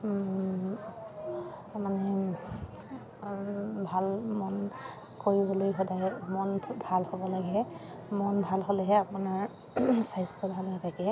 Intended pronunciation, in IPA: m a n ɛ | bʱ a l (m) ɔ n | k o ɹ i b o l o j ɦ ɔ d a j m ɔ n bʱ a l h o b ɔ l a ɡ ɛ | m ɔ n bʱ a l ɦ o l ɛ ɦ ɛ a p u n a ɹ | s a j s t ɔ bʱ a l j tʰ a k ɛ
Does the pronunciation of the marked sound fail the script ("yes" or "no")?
no